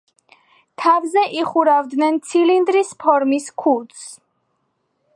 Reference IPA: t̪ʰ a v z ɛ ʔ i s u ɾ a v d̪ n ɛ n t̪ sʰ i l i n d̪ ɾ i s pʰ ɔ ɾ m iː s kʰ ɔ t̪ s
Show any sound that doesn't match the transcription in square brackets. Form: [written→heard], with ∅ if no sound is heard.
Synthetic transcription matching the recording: t̪ʰ a v z ɛ ʔ i [s→χ] u ɾ a v d̪ n ɛ n t̪ sʰ i l i n d̪ ɾ i s pʰ ɔ ɾ m [iː→i] s kʰ [ɔ→u] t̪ s